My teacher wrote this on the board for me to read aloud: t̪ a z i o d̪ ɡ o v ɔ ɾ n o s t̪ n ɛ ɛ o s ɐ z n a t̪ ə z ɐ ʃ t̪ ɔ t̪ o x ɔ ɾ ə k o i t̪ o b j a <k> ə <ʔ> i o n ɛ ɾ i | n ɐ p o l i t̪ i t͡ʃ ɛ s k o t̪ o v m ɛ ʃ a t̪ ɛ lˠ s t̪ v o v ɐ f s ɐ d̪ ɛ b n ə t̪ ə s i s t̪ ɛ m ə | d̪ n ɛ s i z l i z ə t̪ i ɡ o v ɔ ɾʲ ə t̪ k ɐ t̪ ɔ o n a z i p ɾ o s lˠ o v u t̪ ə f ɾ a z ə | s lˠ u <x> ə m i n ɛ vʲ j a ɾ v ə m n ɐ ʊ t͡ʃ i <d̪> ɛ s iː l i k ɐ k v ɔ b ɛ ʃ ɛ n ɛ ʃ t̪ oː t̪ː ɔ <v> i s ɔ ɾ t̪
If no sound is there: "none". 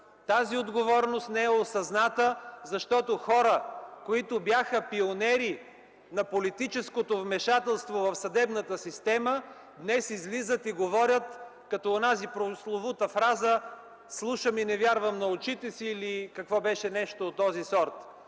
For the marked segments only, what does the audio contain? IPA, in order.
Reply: x, p, ʃ, t̪, z

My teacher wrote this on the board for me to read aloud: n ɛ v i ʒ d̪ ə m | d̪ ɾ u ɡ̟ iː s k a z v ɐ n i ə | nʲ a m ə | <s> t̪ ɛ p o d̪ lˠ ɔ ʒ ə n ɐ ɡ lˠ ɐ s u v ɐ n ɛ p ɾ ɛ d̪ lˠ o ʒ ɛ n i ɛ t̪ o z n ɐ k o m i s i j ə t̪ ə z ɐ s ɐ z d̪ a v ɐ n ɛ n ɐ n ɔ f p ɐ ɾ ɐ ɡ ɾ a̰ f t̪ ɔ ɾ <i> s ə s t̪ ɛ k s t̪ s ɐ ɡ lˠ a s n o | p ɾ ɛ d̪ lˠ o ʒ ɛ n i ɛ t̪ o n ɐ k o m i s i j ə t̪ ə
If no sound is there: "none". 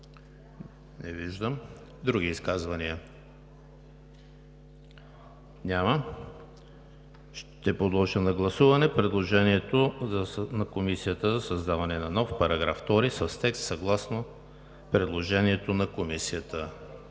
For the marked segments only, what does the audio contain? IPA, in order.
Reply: ʃ, i

